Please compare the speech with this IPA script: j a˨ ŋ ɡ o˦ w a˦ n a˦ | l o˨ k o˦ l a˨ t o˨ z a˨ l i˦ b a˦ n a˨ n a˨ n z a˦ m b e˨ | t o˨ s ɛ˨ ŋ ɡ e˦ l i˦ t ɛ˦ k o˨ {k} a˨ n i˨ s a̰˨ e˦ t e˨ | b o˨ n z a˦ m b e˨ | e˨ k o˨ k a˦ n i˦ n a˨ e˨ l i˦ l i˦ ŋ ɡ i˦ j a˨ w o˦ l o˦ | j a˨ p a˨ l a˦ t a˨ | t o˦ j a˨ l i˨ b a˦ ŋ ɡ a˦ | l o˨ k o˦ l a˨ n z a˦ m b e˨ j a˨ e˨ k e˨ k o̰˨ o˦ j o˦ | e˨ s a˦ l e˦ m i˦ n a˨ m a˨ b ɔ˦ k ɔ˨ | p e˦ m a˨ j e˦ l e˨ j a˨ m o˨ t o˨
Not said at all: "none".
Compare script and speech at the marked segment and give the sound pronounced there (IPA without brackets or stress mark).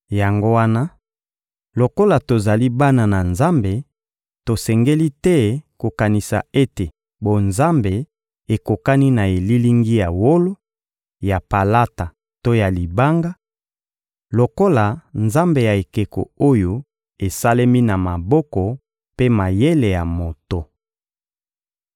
k